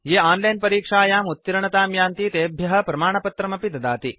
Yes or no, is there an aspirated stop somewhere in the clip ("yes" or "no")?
no